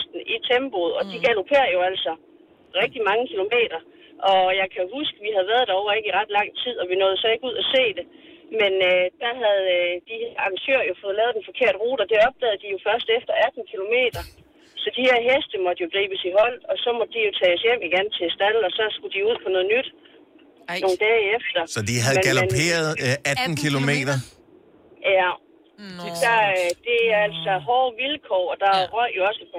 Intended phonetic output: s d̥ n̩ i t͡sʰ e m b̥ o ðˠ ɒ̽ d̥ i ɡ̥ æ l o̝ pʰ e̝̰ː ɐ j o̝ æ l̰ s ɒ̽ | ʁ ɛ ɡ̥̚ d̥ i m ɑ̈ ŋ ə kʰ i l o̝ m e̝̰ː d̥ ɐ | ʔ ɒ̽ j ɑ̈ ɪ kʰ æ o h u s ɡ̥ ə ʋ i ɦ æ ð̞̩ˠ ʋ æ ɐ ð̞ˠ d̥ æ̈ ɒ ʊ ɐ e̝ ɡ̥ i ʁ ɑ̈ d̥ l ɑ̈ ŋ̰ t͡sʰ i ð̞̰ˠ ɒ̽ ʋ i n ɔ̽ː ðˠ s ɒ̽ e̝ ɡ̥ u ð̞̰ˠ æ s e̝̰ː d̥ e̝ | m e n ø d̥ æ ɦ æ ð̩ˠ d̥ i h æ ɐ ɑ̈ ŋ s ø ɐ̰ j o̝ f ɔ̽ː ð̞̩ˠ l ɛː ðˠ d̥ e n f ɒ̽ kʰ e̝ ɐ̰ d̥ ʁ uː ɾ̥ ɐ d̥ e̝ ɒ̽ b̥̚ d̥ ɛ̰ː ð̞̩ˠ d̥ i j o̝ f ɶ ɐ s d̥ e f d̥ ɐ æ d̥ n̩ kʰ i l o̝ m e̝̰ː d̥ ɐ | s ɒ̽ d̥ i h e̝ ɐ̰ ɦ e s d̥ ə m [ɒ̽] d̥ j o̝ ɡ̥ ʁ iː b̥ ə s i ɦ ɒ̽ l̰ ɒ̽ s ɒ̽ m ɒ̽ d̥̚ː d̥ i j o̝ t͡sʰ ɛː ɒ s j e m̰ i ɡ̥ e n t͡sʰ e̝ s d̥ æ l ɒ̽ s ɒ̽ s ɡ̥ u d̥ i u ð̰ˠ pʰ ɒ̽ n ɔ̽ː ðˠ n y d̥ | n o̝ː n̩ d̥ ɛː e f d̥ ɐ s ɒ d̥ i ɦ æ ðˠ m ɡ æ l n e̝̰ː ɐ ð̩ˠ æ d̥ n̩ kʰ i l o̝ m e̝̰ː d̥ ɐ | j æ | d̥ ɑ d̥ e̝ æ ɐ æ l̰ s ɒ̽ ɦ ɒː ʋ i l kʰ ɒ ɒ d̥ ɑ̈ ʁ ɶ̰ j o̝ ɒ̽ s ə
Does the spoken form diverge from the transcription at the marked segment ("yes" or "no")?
no